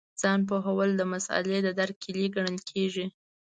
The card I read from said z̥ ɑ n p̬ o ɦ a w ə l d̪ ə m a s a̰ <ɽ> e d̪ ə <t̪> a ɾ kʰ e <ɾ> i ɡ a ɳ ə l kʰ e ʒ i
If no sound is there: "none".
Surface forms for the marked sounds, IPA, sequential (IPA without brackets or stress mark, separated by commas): l, d̪, l